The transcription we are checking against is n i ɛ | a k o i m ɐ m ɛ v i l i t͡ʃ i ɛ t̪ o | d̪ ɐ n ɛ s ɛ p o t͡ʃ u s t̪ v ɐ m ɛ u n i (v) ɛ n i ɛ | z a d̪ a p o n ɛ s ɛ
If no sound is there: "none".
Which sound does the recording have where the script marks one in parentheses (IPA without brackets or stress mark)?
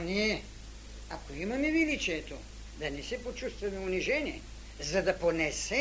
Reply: ʒ